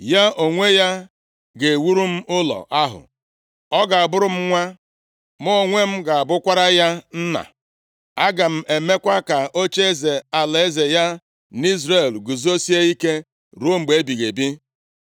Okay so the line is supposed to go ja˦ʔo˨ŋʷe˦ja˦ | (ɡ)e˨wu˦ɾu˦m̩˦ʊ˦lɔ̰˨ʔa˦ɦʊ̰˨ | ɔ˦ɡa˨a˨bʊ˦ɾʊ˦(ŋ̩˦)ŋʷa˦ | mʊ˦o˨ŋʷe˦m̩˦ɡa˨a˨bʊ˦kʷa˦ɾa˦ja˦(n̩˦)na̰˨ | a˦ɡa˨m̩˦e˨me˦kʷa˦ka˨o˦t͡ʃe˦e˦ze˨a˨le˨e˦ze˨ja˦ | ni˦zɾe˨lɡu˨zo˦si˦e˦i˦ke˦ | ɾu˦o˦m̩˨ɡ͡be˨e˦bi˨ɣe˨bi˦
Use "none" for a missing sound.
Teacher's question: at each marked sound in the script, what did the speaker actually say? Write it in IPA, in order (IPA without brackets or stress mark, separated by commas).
ɡ, m̩˦, n̩˦